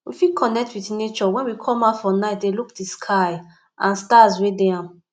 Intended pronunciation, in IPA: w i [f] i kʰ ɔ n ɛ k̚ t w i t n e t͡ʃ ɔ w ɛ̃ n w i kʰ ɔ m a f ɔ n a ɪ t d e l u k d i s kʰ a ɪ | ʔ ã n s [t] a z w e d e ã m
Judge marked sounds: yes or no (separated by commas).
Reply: yes, yes